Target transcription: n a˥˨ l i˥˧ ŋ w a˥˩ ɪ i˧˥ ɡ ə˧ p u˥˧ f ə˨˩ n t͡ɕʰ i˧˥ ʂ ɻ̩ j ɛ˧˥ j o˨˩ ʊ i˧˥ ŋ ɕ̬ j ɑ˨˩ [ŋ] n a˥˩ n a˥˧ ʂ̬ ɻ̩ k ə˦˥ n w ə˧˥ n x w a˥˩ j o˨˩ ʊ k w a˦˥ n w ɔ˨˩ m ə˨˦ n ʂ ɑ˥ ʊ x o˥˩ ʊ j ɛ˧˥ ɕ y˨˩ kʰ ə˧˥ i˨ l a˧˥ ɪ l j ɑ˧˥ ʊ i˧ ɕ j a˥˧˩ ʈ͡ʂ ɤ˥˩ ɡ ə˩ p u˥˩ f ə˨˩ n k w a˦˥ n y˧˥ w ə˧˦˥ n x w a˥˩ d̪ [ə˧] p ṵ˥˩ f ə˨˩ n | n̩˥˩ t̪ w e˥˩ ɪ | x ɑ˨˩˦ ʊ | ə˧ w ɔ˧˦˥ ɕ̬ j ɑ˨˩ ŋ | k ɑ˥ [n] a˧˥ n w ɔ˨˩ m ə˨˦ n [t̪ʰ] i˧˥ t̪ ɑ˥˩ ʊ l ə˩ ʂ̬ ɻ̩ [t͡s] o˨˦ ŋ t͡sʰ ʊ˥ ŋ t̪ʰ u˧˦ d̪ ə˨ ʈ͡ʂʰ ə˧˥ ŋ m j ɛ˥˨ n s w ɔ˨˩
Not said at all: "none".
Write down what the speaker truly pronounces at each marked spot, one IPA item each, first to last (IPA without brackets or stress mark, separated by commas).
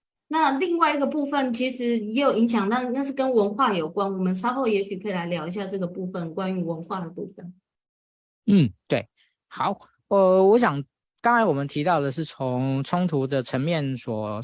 ŋ, ə˩, ŋ, t̪ʰ, t͡sʰ